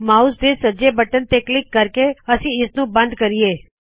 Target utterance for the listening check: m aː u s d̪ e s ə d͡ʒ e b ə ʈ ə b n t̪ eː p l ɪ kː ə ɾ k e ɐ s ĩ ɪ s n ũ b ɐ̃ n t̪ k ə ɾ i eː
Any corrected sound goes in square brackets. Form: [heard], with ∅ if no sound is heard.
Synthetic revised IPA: m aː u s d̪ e s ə d͡ʒ e b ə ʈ ə [∅] n t̪ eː [k] l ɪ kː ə ɾ k e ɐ s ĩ ɪ s n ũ b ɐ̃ n [d̪] k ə ɾ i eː